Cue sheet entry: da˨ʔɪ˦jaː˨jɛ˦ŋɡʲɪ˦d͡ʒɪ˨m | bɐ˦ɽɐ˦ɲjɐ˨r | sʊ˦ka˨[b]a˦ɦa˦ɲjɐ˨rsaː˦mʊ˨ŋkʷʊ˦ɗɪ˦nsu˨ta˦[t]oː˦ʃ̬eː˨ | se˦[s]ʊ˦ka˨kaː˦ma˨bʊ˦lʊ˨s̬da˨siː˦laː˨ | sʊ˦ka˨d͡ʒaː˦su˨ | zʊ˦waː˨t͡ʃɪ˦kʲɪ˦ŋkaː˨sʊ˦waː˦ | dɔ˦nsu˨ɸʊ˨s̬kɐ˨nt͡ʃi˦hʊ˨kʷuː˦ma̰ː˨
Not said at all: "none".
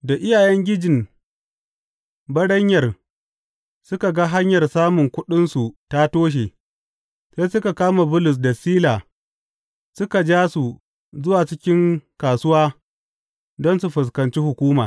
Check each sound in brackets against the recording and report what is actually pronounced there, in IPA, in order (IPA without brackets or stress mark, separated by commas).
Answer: ɡ, t, s